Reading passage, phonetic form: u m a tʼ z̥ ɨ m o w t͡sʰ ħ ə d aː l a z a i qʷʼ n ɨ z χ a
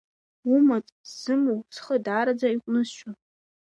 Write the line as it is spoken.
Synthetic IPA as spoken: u m a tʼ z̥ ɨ m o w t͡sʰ χ ə d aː ɾ a d͡z a i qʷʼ n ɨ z ʃ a